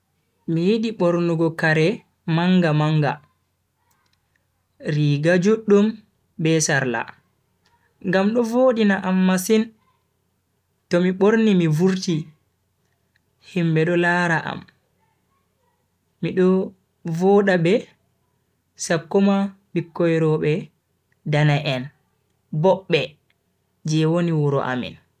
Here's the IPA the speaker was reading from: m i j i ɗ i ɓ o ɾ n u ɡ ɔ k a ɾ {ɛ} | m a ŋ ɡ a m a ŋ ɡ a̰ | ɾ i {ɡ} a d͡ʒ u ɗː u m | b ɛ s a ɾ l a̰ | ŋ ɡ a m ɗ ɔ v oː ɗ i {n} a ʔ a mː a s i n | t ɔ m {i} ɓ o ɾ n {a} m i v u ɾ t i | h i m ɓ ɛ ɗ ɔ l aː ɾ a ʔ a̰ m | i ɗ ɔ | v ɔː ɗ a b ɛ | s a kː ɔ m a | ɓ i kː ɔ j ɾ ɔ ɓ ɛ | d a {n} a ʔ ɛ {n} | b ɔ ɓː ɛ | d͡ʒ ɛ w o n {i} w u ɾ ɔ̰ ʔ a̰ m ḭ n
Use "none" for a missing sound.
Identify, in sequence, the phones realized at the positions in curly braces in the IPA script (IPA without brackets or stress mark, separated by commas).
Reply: ɛ, ɡ, n, i, i, n, n, i